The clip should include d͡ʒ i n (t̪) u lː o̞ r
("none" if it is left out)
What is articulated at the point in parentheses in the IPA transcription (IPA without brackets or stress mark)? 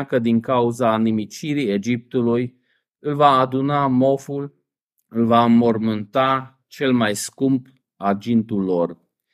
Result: t̪